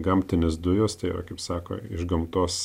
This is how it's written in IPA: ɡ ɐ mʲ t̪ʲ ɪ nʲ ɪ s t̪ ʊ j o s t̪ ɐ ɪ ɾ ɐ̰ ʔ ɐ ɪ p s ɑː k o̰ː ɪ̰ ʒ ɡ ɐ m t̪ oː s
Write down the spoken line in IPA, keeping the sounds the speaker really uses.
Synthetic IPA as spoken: ɡ ɐ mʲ t̪ʲ ɪ nʲ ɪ s d̪ ʊ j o s t̪ ɐ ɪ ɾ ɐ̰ k ɐ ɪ p s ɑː k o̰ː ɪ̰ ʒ ɡ ɐ m t̪ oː s